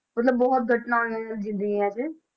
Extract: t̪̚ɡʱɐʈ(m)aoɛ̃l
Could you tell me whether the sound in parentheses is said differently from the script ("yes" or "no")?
yes